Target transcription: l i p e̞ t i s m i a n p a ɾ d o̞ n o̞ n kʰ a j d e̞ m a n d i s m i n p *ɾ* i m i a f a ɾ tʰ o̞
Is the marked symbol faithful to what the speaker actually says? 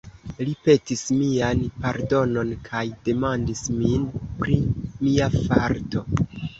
yes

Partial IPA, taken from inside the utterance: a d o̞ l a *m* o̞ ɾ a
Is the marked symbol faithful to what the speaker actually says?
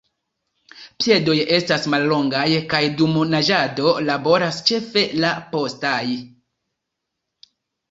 no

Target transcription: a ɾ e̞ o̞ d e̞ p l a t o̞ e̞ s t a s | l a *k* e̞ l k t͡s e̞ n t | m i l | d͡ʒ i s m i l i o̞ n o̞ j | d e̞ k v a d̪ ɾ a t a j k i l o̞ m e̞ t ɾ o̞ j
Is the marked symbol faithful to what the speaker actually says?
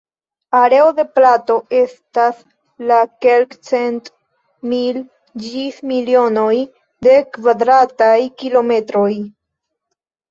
yes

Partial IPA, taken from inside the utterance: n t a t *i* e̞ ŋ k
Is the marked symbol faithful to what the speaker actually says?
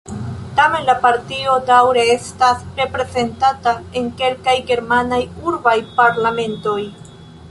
no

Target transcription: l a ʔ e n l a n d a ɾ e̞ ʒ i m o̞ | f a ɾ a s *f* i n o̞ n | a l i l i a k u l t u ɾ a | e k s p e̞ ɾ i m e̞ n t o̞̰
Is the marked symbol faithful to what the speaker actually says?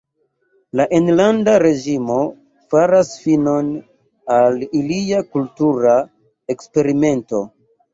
yes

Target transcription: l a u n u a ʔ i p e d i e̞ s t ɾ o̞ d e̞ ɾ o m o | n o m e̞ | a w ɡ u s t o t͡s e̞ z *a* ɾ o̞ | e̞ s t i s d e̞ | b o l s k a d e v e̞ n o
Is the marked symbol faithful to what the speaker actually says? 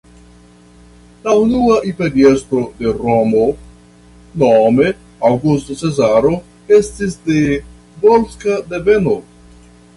yes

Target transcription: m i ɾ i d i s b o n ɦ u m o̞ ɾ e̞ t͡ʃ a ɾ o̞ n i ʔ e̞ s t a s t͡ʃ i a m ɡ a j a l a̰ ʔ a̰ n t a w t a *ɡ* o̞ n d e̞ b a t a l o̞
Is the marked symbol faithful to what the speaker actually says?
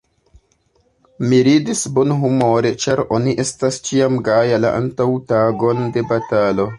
yes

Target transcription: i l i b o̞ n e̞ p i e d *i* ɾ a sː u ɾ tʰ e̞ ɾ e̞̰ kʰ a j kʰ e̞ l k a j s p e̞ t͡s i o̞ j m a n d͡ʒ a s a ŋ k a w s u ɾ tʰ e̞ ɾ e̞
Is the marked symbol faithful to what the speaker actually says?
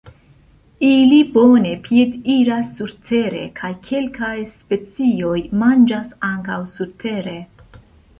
yes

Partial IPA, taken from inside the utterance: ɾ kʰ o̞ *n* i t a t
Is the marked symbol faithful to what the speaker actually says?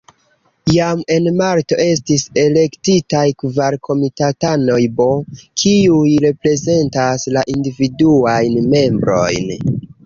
no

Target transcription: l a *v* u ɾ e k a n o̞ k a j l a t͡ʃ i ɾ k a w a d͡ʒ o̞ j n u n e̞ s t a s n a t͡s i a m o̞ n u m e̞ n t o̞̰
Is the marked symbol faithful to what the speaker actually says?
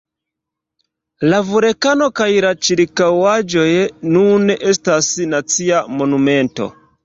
yes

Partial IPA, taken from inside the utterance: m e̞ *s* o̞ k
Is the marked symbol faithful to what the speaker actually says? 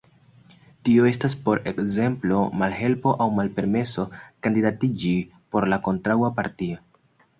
yes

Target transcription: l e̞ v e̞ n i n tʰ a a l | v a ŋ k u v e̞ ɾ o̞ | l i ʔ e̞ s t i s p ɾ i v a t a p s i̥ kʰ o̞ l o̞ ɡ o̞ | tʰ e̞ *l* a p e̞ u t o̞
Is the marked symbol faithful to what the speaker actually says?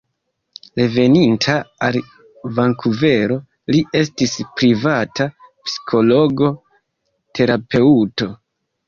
no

